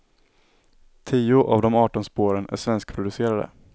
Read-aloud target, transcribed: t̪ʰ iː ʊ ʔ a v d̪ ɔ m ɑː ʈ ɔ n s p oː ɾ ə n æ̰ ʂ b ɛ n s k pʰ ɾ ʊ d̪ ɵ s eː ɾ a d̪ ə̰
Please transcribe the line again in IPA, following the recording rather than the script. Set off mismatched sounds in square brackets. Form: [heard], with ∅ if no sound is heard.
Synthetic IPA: t̪ʰ iː ʊ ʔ a v d̪ ɔ m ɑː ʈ ɔ n s p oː ɾ ə n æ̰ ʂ [v] ɛ n s k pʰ ɾ ʊ d̪ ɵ s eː ɾ a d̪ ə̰